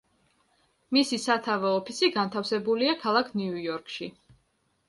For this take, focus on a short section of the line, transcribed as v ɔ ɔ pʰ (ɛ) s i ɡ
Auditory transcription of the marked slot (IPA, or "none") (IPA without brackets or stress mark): i